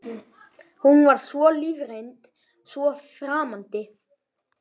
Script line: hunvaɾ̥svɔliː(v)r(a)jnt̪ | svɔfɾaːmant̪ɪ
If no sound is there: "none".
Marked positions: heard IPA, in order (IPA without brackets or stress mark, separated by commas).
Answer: v, e